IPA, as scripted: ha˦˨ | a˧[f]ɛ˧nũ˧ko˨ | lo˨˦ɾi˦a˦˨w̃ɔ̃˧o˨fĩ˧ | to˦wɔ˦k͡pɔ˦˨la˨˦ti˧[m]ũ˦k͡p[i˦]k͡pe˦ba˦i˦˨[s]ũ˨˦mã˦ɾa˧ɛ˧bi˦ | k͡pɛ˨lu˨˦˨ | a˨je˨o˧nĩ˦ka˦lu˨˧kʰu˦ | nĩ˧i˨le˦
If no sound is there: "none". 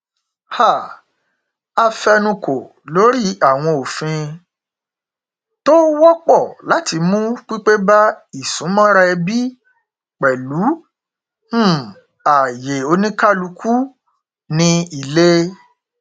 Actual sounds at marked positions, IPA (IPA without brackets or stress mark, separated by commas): f, m, i˦, s